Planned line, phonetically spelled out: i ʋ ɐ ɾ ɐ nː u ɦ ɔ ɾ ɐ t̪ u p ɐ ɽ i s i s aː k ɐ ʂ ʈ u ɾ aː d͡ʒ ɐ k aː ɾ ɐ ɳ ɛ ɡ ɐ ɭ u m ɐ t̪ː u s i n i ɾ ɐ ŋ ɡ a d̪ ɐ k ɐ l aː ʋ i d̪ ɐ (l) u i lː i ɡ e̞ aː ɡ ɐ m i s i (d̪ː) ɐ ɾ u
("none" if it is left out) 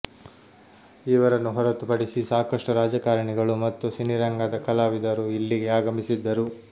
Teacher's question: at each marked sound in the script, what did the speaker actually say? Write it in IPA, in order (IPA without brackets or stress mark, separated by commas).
ɾ, d̪ː